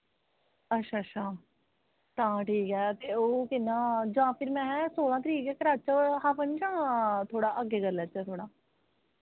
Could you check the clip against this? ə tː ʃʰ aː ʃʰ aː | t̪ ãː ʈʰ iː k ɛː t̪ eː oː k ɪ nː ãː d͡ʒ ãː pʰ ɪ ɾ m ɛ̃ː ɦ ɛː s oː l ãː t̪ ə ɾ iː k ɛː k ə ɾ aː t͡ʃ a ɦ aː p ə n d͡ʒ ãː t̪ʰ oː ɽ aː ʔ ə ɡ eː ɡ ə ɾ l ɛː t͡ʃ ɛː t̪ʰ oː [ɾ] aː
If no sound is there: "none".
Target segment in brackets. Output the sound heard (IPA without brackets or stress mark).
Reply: ɽ